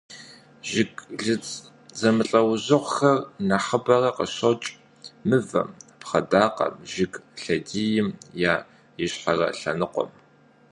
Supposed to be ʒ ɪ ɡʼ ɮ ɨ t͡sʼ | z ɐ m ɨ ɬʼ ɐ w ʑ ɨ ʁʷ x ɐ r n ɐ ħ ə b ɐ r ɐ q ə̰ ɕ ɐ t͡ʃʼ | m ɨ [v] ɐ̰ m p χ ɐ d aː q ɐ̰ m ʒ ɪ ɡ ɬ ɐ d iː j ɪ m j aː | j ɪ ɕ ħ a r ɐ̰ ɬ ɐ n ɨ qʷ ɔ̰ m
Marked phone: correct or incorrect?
correct